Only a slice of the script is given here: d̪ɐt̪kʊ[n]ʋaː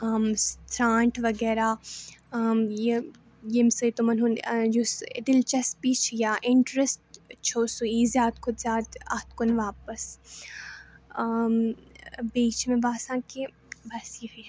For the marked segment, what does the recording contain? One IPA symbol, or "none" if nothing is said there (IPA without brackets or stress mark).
n